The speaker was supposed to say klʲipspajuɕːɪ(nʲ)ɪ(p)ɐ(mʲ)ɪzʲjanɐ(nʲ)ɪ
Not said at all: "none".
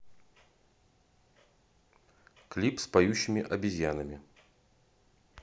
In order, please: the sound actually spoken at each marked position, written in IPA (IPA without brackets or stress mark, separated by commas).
mʲ, ʔ, bʲ, mʲ